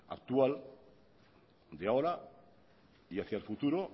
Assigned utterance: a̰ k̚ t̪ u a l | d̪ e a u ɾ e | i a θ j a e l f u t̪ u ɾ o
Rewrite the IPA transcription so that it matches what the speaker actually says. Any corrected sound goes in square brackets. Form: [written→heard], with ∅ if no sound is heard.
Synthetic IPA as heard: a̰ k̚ t̪ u a l | d̪ e a [u→o] ɾ [e→a] | i a θ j a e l f u t̪ u ɾ o

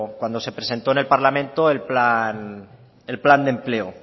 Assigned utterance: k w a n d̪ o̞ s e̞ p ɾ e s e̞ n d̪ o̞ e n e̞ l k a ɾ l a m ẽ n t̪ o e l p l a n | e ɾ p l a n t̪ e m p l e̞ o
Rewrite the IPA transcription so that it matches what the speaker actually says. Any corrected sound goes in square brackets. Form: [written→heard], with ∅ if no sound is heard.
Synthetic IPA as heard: k w a n d̪ o̞ s e̞ p ɾ e s e̞ n [d̪→t̪] o̞ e n e̞ l [k→p] a ɾ l a m ẽ n t̪ o e l p l a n | e [ɾ→l] p l a n [t̪→d̪] e m p l e̞ o

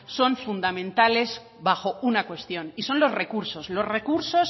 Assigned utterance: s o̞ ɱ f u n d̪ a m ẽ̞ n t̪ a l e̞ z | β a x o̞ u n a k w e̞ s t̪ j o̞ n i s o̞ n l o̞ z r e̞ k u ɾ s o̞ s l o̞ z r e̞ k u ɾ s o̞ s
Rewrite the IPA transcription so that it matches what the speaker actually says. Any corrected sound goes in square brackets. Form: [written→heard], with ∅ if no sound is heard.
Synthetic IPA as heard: s o̞ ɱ f u n d̪ a m ẽ̞ n t̪ a l e̞ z | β a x o̞ u n a k w e̞ s t̪ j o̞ n i s o̞ n l o̞ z r e̞ k u ɾ s o̞ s l o̞ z r e̞ k u ɾ s o̞ s

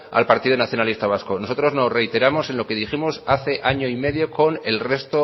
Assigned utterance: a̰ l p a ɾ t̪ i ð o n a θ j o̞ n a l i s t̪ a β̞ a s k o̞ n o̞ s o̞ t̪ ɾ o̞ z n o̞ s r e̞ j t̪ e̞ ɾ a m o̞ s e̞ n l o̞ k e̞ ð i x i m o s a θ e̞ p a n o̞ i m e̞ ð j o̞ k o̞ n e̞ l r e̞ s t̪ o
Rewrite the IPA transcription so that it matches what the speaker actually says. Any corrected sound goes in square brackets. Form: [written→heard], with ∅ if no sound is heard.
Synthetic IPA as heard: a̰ l p a ɾ t̪ i ð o n a θ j o̞ n a l i s t̪ a β̞ a s k o̞ n o̞ s o̞ t̪ ɾ o̞ z n o̞ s r e̞ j t̪ e̞ ɾ a m o̞ s e̞ n l o̞ k e̞ ð i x i m o s a θ e̞ [p→ʔ] a [n→ɲ] o̞ i m e̞ ð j o̞ k o̞ n e̞ l r e̞ s t̪ o

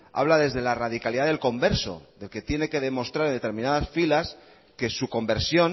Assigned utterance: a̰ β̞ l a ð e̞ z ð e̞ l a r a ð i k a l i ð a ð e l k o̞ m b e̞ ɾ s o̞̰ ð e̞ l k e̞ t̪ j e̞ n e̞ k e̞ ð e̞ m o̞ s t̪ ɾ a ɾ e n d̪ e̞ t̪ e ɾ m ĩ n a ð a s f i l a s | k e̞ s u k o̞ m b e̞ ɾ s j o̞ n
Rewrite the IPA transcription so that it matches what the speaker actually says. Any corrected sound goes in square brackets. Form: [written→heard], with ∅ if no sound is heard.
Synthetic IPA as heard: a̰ β̞ l a ð e̞ z ð e̞ l a r a ð i k a l i ð a ð e l k o̞ m b e̞ ɾ s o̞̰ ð e̞ l k e̞ t̪ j e̞ n e̞ k e̞ ð e̞ m o̞ s t̪ ɾ a ɾ e n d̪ e̞ t̪ e ɾ m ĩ n a ð a s f i l a s | k e̞ s u k o̞ m b e̞ ɾ s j o̞ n

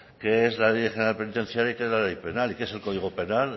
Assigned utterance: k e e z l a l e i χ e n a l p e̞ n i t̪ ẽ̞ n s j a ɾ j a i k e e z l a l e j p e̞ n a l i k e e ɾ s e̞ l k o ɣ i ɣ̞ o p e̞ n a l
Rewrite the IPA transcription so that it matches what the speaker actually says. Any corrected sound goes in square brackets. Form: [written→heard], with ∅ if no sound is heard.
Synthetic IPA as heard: k e e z l a l e [i→j] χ e n a l p e̞ n i t̪ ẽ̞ n [s→θ] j a ɾ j a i k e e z l a l e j p e̞ n a l i k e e [ɾ→∅] s e̞ l k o [ɣ→ð] i ɣ̞ o p e̞ n a l

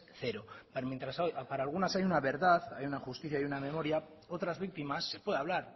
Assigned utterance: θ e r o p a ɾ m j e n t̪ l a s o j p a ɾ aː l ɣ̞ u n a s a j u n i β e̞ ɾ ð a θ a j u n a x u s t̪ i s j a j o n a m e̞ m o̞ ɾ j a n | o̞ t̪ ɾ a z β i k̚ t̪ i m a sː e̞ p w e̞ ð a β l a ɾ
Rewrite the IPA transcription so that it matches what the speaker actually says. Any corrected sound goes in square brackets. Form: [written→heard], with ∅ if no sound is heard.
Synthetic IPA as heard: θ e [r→ɾ] o p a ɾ m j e n t̪ [l→ɾ] a s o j p a ɾ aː l ɣ̞ u n a s a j u n [i→a] β e̞ ɾ ð a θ a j u n a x u s t̪ i [s→θ] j a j [o→u] n a m e̞ m o̞ ɾ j a [n→∅] | o̞ t̪ ɾ a z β i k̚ t̪ i m a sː e̞ p w e̞ ð a β l a ɾ

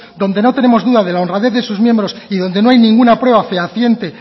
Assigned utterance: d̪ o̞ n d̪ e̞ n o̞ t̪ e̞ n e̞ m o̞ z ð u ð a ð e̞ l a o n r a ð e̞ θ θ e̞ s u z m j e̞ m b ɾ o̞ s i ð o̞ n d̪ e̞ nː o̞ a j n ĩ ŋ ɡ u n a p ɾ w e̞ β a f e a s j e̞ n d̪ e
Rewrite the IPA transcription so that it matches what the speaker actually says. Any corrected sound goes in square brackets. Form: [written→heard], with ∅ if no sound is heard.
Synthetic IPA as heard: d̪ o̞ n d̪ e̞ n o̞ t̪ e̞ n e̞ m o̞ z ð u ð a ð e̞ l a o n r a ð e̞ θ [θ→ð] e̞ s u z m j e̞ m b ɾ o̞ s i ð o̞ n d̪ e̞ [nː→n] o̞ a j n ĩ ŋ ɡ u n a p ɾ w e̞ β a f e a [s→θ] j e̞ n [d̪→t̪] e

